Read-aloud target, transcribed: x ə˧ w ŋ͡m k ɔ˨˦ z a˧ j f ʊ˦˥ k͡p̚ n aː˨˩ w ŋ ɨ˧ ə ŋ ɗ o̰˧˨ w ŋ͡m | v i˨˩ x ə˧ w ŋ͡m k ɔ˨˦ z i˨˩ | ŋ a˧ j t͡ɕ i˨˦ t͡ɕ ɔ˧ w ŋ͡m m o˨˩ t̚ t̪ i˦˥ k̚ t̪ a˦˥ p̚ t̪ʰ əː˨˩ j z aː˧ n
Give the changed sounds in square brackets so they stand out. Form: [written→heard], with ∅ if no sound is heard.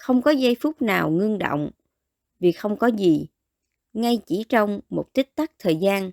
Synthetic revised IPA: x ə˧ w ŋ͡m k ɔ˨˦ z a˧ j f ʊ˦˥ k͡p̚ n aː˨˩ w ŋ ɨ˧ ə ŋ ɗ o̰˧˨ w ŋ͡m | v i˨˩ x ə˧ w ŋ͡m k ɔ˨˦ z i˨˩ | ŋ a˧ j t͡ɕ [i˨˦→i˧˩] t͡ɕ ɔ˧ w ŋ͡m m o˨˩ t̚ t̪ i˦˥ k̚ t̪ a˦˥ [p̚→k̚] t̪ʰ əː˨˩ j z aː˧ n